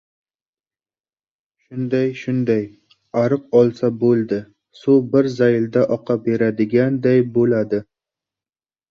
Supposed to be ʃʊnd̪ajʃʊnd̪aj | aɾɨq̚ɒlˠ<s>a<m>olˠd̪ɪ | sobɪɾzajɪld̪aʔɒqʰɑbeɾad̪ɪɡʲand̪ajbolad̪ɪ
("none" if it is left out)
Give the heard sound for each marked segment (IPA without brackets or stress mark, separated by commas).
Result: s, b